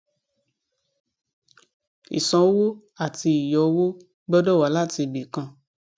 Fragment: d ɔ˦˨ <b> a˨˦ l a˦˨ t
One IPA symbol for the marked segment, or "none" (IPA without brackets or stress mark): w